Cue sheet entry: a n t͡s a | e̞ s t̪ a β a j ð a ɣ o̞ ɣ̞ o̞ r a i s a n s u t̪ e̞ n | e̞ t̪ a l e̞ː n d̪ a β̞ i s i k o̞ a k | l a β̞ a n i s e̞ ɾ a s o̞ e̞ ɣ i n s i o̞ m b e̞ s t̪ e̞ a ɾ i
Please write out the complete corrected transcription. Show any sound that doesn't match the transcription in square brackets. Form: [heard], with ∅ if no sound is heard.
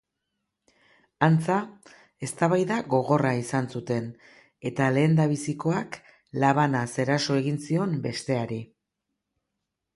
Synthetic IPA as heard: a n t͡s a | e̞ s t̪ a β a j ð a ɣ o̞ ɣ̞ o̞ r a i s a n s u t̪ e̞ n | e̞ t̪ a l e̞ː n d̪ a β̞ i s i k o̞ a k | l a β̞ a n [a] s e̞ ɾ a s o̞ e̞ ɣ i n s i o̞ m b e̞ s t̪ e̞ a ɾ i